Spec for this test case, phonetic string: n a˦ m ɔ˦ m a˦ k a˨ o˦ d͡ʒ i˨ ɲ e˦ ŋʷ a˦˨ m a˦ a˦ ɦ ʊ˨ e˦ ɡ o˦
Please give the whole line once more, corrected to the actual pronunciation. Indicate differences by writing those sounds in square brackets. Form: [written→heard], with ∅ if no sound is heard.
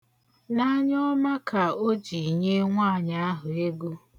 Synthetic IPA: n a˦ [m→ɲ] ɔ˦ m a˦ k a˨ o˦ d͡ʒ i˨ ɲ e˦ ŋʷ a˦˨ [m→ɲ] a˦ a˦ ɦ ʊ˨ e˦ ɡ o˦